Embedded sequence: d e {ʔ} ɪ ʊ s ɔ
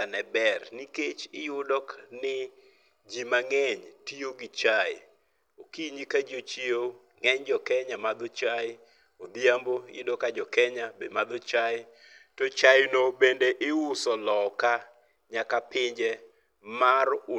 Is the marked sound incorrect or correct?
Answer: correct